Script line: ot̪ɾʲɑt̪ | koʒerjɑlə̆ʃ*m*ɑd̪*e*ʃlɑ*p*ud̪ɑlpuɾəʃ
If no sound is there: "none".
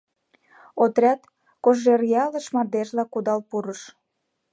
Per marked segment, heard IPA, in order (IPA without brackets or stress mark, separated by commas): m, e, k